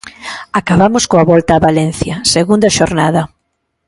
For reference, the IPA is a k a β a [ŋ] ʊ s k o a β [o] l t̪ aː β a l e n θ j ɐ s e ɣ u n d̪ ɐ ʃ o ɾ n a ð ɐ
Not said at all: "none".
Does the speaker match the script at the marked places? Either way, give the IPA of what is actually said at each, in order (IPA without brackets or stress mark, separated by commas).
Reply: m, ɔ